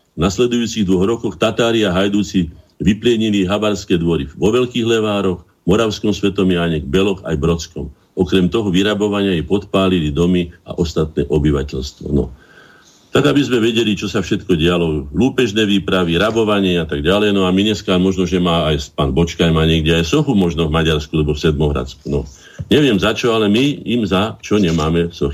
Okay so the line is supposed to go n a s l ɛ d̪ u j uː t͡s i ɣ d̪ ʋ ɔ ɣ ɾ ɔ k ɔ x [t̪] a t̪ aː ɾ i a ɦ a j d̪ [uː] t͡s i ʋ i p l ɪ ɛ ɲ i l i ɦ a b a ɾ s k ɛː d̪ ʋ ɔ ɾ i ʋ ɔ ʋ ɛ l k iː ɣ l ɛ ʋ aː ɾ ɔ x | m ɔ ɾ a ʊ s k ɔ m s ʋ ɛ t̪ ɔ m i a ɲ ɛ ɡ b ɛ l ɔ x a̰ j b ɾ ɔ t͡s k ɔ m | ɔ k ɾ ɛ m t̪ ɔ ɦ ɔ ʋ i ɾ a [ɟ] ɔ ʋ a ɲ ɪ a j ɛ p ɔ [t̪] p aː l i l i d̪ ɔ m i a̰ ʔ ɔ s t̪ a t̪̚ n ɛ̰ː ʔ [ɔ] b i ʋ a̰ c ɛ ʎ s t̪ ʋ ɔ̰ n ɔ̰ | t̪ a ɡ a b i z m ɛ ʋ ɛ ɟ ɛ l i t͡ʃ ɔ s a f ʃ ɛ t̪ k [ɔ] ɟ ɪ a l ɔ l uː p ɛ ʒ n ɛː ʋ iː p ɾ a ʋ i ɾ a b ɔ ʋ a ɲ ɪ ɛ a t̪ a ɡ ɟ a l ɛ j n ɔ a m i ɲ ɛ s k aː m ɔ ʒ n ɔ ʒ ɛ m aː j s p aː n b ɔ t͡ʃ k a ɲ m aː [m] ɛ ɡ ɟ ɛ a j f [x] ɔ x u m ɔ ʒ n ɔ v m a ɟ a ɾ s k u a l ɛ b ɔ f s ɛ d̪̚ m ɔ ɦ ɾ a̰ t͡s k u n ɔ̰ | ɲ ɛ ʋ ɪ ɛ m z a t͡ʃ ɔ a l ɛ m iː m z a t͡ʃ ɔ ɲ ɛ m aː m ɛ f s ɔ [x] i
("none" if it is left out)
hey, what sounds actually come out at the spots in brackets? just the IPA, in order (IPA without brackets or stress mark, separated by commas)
t̪, uː, b, t̪, ɔ, ɔ, ɲ, s, x